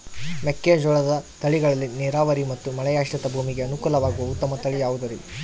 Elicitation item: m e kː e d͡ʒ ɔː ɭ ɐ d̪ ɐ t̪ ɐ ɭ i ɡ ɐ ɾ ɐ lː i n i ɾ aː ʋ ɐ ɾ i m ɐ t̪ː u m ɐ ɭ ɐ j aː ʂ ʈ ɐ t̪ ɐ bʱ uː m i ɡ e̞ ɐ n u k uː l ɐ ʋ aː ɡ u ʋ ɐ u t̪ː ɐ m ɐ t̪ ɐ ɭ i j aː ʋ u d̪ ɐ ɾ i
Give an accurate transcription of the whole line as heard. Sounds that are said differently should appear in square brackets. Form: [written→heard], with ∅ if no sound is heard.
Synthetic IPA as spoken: m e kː e d͡ʒ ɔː ɭ ɐ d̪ ɐ t̪ ɐ ɭ i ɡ ɐ [ɾ→ɭ] ɐ lː i n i ɾ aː ʋ ɐ ɾ i m ɐ t̪ː u m ɐ ɭ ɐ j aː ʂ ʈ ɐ t̪ ɐ bʱ uː m i ɡ e̞ ɐ n u k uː l ɐ ʋ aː ɡ u ʋ ɐ u t̪ː ɐ m ɐ t̪ ɐ ɭ i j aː ʋ u d̪ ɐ ɾ i